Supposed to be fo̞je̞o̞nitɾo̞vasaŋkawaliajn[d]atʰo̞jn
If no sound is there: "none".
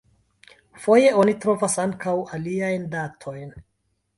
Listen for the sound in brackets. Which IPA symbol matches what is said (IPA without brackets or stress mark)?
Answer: d